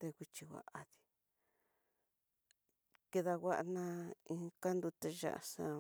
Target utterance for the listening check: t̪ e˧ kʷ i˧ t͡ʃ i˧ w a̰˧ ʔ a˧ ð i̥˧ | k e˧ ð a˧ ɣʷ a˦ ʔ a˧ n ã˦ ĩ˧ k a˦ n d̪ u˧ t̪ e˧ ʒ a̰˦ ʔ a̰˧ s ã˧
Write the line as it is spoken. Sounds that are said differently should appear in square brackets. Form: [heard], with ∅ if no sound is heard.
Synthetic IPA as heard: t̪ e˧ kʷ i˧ t͡ʃ i˧ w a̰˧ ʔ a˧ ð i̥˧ | k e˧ ð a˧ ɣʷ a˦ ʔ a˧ n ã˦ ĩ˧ k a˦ n d̪ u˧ t̪ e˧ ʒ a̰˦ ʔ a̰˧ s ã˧